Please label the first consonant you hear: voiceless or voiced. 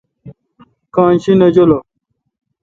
voiceless